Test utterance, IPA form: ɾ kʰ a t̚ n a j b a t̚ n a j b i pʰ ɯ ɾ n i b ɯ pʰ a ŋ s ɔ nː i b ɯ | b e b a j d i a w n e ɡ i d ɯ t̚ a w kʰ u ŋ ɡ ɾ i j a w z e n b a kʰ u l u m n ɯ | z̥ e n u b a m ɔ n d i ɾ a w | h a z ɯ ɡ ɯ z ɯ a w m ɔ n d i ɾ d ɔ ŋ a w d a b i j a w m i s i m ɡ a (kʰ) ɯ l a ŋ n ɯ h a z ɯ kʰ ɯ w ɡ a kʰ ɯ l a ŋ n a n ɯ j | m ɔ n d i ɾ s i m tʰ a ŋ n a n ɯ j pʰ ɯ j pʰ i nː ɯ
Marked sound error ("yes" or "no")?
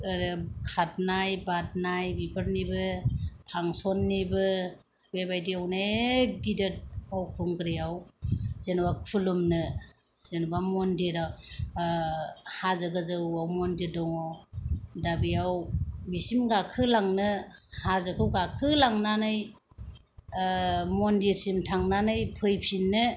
no